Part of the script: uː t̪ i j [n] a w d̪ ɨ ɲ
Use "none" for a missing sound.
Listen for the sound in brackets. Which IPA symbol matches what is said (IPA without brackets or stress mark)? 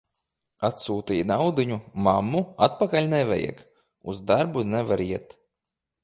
n